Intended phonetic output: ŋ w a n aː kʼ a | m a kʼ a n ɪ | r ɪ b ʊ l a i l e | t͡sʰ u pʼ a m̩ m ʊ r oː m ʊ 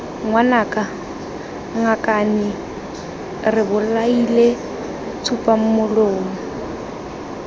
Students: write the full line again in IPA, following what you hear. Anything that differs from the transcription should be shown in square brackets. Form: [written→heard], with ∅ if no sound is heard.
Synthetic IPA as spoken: ŋ w a n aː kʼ a | [m→ŋ] a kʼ a n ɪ | r ɪ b ʊ l a i l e | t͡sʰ u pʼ a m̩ m ʊ [r→l] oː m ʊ